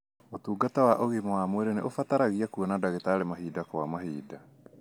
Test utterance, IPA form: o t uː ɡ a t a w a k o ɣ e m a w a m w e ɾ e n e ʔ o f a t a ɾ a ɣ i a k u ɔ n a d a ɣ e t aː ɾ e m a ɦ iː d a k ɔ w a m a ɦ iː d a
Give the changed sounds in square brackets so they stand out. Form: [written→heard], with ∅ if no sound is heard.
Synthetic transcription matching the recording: o t uː ɡ a t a w a [k→ʔ] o ɣ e m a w a m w e ɾ e n e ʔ o f a t a ɾ a ɣ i a k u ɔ n a d a ɣ e t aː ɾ e m a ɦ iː d a k ɔ w a m a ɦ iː d a